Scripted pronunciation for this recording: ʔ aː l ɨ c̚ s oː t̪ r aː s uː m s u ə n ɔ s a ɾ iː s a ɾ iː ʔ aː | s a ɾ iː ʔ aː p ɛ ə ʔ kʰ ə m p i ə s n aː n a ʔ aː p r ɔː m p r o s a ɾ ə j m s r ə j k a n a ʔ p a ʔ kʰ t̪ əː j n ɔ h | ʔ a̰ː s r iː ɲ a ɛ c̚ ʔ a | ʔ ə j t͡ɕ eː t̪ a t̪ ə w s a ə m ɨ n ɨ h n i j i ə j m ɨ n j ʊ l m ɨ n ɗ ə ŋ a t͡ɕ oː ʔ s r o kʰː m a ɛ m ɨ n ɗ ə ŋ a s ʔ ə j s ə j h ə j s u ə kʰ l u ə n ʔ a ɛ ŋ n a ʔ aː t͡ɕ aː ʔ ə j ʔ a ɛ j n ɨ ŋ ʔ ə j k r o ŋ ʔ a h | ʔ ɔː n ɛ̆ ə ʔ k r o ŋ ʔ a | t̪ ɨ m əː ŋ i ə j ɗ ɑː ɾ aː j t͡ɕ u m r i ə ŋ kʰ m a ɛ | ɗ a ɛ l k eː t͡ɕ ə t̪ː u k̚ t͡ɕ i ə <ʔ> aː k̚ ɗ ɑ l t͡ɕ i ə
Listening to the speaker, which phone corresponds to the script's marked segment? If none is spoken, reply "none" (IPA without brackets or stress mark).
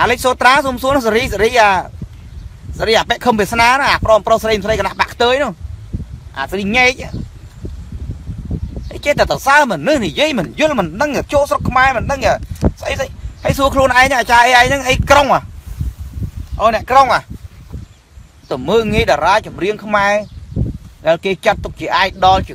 ʔ